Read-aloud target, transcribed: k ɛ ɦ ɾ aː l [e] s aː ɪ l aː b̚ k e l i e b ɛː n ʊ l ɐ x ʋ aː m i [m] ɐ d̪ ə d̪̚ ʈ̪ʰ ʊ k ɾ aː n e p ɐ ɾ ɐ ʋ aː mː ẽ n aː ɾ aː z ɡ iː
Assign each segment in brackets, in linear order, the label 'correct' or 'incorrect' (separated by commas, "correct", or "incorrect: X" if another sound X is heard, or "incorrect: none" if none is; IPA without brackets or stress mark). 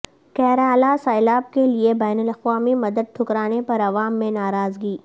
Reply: incorrect: a, correct